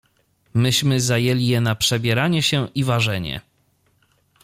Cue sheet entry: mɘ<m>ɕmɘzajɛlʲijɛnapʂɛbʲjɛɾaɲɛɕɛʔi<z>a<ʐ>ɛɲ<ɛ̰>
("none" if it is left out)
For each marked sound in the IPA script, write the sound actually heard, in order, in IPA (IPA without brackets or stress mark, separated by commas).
none, v, ʐ, ɛ̰